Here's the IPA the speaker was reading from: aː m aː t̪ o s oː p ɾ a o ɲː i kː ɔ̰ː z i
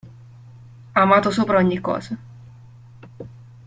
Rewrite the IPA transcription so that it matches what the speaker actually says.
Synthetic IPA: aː m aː t̪ o s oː p ɾ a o ɲː i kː ɔ̰ː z a